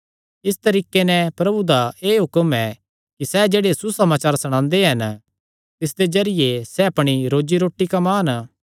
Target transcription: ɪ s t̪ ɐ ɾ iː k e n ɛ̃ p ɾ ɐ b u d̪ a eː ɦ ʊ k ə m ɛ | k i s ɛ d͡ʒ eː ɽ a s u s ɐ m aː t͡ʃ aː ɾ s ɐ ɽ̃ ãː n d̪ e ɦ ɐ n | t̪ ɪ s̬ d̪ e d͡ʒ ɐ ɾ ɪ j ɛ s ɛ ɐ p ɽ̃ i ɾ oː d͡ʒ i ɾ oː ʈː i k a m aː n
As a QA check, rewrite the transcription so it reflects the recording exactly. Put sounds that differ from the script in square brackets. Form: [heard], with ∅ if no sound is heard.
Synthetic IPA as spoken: ɪ s t̪ ɐ ɾ iː k e n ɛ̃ p ɾ ɐ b u d̪ a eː ɦ ʊ k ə m ɛ | k i s ɛ d͡ʒ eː ɽ [e] s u s ɐ m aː t͡ʃ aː ɾ s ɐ ɽ̃ ãː n d̪ e ɦ ɐ n | t̪ ɪ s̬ d̪ e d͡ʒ ɐ ɾ ɪ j [e] s ɛ ɐ p ɽ̃ i ɾ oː d͡ʒ i ɾ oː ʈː i k a m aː n